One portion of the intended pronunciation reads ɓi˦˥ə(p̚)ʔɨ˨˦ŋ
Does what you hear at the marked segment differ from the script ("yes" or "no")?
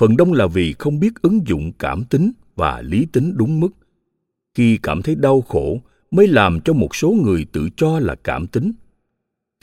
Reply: yes